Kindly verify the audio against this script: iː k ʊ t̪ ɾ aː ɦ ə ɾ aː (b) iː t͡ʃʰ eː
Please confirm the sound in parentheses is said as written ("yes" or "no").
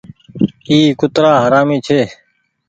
no